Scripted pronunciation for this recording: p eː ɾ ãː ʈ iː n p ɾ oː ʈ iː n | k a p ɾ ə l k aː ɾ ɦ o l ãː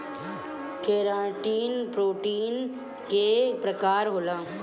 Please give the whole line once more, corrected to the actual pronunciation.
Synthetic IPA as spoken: k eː ɾ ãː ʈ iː n p ɾ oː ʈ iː n | k e p ɾ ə k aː ɾ ɦ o l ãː